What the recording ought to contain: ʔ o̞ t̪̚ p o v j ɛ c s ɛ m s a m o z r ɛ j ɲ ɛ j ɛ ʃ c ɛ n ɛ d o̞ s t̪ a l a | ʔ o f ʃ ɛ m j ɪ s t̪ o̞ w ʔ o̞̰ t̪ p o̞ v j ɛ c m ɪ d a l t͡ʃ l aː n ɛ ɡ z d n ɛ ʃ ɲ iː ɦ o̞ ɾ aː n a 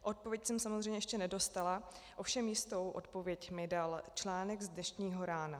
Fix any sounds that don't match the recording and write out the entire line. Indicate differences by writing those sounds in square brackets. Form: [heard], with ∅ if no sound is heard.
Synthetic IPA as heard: ʔ o̞ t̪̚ p o v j ɛ c s ɛ m s a m o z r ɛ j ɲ ɛ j ɛ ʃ c ɛ n ɛ d o̞ s t̪ a l a | ʔ o f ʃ ɛ m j ɪ s t̪ o̞ w ʔ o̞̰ t̪ p o̞ v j ɛ c m ɪ d a l t͡ʃ l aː n ɛ ɡ z d n ɛ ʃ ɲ iː ɦ o̞ ɾ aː n a

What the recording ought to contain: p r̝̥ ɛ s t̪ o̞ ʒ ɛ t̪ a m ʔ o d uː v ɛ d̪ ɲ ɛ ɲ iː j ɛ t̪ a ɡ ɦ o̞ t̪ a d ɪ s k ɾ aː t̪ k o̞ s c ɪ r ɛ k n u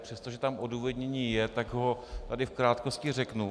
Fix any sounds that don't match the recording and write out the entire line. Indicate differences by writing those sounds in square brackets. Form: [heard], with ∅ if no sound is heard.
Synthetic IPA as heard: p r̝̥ ɛ s t̪ o̞ ʒ ɛ t̪ a m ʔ o d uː v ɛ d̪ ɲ ɛ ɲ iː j ɛ t̪ a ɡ ɦ o̞ t̪ a d ɪ [f] k ɾ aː t̪ k o̞ s c ɪ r ɛ k n u

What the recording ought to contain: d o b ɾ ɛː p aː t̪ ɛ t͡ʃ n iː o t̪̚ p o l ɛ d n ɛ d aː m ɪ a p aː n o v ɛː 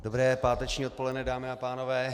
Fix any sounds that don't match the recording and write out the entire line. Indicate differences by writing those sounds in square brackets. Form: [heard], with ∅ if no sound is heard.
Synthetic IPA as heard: d o b ɾ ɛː p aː t̪ ɛ t͡ʃ [ɲ] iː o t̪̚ p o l ɛ d n ɛ d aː m ɪ a p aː n o v ɛː

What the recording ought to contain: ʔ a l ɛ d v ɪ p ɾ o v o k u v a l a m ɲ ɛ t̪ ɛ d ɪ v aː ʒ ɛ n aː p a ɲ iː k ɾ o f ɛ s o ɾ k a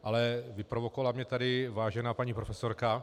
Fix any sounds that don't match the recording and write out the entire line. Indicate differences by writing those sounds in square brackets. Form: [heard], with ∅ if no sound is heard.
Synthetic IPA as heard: ʔ a l ɛ [∅] v ɪ p ɾ o v o k [o] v a l a m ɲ ɛ t̪ [a] d ɪ v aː ʒ ɛ n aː p a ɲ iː [p] ɾ o f ɛ s o ɾ k a

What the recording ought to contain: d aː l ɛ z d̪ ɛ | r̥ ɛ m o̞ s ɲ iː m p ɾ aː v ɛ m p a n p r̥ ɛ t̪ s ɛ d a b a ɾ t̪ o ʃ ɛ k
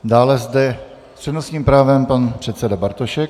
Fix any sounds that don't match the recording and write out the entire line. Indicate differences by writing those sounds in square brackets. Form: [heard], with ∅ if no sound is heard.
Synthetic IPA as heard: d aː l ɛ z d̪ ɛ | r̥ ɛ [n] o̞ s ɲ iː m p ɾ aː v ɛ m p a n p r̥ ɛ t̪ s ɛ d a b a ɾ t̪ o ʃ ɛ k

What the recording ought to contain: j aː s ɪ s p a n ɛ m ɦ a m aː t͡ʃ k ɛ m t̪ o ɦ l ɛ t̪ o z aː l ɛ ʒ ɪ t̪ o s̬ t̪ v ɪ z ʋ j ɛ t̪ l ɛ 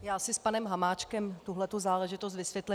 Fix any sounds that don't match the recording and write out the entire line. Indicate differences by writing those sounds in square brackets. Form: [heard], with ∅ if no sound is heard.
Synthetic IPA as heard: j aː s ɪ s p a n ɛ m ɦ a m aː t͡ʃ k ɛ m t̪ [u] ɦ l ɛ t̪ [u] z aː l ɛ ʒ ɪ t̪ o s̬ t̪ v ɪ [s] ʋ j ɛ t̪ l ɛ

